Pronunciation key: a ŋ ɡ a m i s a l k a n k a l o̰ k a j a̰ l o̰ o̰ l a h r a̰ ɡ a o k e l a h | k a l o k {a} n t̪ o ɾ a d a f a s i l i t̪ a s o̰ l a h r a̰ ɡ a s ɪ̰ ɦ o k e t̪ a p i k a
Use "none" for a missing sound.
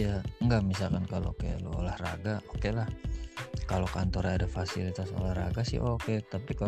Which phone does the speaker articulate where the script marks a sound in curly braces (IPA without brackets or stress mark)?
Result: a